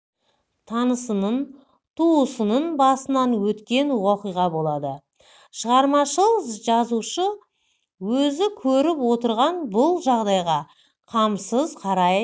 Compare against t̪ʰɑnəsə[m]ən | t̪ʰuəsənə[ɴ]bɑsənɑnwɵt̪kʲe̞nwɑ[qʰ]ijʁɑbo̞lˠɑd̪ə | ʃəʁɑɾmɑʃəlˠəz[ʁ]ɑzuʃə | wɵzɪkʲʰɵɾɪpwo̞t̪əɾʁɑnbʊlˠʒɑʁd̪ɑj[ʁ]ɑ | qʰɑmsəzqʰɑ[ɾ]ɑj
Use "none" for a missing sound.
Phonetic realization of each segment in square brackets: n, n, q, ʒ, ʁ, ɾ

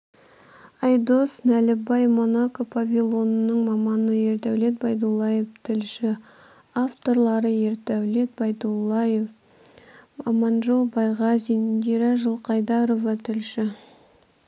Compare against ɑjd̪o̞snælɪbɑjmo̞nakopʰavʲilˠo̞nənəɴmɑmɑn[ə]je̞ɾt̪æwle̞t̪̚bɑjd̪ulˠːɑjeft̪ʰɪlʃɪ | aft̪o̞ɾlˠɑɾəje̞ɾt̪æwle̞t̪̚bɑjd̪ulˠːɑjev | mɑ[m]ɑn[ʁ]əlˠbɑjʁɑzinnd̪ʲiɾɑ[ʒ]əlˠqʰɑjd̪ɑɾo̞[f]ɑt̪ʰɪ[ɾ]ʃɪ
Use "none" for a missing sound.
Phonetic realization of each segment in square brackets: ə, m, ʒ, ʒ, v, l

